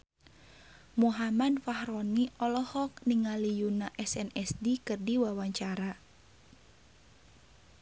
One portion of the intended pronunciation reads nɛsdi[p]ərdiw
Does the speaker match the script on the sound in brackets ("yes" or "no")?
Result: no